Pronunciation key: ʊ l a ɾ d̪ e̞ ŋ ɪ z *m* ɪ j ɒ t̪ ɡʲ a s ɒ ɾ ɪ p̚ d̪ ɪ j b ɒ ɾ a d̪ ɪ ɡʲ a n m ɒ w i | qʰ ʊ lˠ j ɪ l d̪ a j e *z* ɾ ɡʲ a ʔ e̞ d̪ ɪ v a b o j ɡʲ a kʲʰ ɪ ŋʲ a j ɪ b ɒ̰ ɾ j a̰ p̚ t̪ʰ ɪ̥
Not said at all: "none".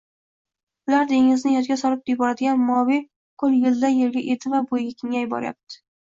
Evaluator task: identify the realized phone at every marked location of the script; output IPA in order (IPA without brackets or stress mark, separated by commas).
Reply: n, none